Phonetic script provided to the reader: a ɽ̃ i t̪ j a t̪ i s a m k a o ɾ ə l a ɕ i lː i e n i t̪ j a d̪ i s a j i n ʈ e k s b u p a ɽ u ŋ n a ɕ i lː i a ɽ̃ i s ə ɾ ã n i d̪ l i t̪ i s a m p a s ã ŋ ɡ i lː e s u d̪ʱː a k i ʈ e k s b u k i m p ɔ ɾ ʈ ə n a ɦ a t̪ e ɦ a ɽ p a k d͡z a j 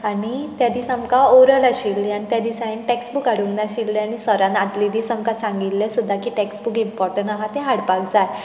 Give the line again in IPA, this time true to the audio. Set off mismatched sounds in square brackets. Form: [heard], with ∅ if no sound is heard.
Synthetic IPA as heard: a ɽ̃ i t̪ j a [d̪] i s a m k a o ɾ ə l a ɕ i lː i [a] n i t̪ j a d̪ i s a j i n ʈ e k s b u [k] a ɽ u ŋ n a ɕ i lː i a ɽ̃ i s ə ɾ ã n [a] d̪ l i [d̪] i s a m [k] a s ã ŋ ɡ i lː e s u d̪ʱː a k i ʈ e k s b u k i m p ɔ ɾ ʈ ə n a ɦ a t̪ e ɦ a ɽ p a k d͡z a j